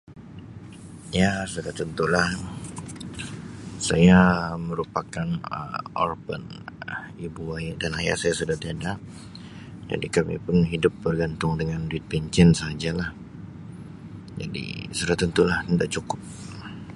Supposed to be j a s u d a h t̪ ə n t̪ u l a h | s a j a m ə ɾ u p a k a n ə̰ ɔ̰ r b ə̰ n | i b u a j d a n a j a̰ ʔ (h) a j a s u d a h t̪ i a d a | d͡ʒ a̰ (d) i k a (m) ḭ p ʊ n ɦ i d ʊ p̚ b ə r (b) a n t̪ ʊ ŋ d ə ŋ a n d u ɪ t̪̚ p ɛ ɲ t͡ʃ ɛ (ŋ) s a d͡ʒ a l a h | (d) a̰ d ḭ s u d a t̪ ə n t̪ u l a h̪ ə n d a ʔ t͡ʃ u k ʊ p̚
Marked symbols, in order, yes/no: no, yes, yes, no, no, no

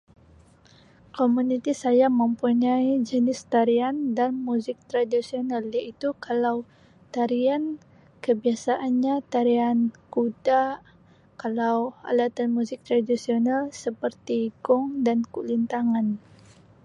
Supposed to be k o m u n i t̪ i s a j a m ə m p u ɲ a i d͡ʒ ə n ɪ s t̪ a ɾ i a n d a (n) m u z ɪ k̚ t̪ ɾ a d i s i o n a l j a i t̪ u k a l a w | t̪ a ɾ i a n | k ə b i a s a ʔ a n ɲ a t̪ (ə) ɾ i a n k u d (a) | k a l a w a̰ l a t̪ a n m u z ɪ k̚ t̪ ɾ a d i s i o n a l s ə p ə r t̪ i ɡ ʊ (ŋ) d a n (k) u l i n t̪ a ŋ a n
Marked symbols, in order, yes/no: yes, no, yes, yes, yes

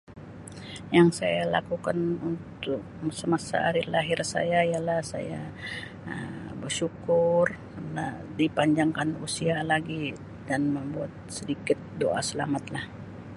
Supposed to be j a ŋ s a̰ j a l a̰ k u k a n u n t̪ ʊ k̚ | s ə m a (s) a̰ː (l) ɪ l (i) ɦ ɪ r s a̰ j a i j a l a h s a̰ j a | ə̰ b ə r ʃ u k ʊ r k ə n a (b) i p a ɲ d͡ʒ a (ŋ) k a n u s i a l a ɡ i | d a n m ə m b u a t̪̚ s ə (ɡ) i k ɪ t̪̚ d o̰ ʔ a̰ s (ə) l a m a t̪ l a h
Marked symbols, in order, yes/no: yes, no, no, no, yes, no, yes

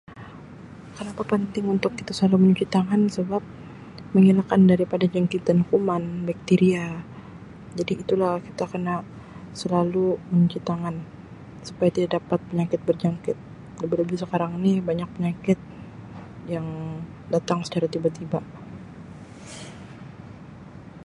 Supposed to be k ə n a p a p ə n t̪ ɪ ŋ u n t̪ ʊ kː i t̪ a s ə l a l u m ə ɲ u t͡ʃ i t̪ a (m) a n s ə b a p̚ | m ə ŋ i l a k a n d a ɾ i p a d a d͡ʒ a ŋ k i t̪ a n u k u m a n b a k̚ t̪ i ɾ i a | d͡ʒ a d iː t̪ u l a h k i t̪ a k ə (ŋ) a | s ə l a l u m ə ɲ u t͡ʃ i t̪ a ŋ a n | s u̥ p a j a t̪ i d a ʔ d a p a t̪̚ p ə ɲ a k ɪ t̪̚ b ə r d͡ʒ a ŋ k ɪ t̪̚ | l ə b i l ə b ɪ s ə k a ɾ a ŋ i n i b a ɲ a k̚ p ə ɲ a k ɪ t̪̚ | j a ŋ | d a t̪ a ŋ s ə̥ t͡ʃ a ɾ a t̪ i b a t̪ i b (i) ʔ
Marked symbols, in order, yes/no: no, no, no

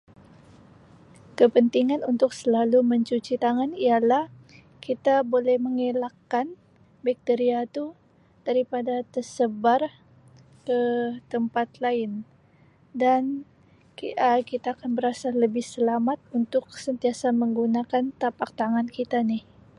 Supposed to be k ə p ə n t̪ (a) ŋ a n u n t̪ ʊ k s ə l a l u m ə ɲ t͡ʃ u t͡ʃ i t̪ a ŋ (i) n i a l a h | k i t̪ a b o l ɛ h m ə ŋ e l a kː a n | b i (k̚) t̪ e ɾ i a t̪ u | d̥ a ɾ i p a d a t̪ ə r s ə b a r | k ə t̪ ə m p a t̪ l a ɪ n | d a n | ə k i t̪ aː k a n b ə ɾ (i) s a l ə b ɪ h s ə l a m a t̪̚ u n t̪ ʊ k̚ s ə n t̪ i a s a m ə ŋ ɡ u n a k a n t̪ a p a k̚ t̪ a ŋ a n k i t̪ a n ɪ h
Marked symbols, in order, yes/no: no, no, yes, no

